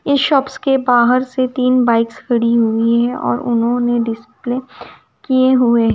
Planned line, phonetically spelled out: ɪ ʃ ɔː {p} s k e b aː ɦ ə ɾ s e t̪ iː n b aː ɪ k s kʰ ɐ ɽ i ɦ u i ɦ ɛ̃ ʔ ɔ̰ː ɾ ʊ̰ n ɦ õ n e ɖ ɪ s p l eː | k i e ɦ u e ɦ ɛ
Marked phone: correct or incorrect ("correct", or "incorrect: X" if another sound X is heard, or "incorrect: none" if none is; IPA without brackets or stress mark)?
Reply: correct